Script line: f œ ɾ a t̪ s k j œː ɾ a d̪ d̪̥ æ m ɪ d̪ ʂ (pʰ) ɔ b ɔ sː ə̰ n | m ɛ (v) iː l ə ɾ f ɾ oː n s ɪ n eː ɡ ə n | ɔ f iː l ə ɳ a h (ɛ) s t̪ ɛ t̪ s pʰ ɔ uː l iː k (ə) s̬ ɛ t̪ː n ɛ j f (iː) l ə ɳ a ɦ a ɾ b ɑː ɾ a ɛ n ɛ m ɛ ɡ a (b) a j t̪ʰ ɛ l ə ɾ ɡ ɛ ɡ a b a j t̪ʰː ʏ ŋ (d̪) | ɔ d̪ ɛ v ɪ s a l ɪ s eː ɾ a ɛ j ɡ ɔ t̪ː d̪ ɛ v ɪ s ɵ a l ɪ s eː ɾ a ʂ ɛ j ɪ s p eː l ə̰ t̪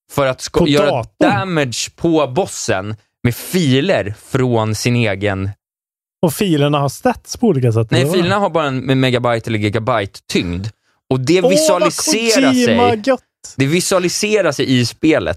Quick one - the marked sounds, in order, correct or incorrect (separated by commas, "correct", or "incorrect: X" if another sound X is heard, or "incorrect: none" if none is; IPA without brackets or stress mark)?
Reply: correct, incorrect: f, incorrect: a, incorrect: a, correct, correct, correct